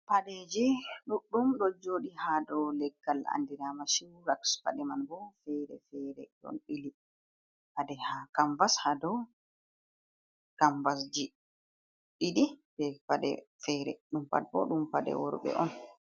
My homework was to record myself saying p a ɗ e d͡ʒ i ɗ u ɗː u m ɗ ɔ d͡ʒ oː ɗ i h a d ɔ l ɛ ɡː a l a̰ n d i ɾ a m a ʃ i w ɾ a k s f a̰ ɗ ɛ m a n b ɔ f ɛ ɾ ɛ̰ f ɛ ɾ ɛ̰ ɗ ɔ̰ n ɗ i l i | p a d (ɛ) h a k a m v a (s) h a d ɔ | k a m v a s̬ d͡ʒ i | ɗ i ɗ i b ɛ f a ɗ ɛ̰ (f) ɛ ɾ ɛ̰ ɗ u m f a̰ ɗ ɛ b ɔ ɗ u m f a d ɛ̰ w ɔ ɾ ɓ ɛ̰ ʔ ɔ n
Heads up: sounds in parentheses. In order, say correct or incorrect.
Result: correct, correct, correct

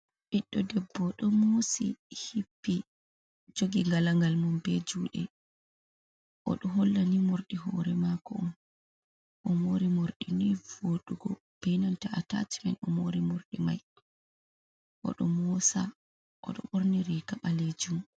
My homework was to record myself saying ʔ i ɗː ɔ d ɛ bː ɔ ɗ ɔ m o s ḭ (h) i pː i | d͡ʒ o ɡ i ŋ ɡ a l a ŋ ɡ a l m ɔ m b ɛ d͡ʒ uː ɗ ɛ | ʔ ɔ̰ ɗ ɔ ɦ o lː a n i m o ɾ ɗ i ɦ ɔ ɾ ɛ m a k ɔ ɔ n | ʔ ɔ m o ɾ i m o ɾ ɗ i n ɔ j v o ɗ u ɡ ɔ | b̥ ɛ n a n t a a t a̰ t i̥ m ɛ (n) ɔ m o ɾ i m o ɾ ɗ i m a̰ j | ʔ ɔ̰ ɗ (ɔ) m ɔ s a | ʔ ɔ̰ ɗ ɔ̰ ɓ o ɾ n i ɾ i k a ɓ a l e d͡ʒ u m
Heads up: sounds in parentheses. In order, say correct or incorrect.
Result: correct, correct, correct

